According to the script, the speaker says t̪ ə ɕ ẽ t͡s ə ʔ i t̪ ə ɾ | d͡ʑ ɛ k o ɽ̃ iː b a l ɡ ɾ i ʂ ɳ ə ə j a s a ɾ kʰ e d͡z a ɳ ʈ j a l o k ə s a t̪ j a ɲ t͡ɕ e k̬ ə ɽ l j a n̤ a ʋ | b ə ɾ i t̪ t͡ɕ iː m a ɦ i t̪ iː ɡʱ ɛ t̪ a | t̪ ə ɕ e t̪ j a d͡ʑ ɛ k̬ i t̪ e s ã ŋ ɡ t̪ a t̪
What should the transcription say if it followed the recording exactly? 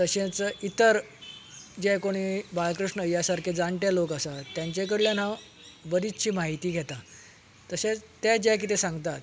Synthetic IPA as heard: t̪ ə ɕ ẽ t͡s ə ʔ i t̪ ə ɾ | d͡ʑ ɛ k o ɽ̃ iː b a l k ɾ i ʂ ɳ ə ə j a s a ɾ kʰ e d͡z a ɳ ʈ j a l o k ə s a t̪ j a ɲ t͡ɕ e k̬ ə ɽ l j a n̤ a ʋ | b ə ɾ i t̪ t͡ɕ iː m a ɦ i t̪ iː ɡʱ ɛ t̪ a | t̪ ə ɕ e t̪ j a d͡ʑ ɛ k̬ i t̪ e s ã ŋ ɡ t̪ a t̪